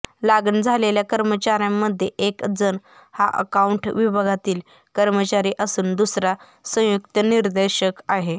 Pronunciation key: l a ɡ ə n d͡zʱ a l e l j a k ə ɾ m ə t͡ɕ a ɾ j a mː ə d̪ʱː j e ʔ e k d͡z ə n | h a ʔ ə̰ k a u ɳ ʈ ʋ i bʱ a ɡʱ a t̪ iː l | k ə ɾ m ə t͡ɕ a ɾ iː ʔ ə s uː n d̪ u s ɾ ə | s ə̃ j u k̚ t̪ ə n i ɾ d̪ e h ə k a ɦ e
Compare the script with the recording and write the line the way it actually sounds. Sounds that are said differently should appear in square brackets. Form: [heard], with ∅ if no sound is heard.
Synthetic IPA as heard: l a ɡ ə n d͡zʱ a l e l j a k ə ɾ m ə t͡ɕ a ɾ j a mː ə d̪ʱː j e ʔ e k d͡z ə n | h a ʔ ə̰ k a u ɳ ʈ ʋ i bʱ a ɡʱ a t̪ iː l | k ə ɾ m ə t͡ɕ a ɾ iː ʔ ə s uː n d̪ u s ɾ [a] | s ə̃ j u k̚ t̪ ə n i ɾ d̪ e [ɕ] ə k a ɦ e